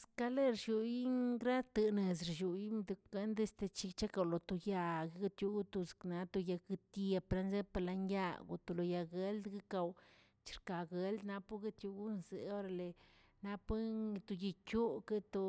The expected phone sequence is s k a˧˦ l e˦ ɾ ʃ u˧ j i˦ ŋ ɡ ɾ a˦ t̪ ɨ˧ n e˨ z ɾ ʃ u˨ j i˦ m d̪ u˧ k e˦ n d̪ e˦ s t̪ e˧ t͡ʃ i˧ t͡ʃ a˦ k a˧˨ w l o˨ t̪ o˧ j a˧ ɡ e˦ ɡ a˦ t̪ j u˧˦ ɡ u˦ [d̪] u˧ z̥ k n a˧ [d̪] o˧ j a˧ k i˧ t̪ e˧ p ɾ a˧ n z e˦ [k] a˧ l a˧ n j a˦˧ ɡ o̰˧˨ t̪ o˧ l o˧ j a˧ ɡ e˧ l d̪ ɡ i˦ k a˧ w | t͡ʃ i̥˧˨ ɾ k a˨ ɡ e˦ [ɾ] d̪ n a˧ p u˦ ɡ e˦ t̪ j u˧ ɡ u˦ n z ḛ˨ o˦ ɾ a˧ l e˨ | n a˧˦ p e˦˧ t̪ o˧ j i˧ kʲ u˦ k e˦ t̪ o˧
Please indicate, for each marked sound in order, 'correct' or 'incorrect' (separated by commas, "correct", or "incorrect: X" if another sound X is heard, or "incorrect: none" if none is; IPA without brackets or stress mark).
incorrect: t̪, incorrect: t̪, incorrect: p, incorrect: l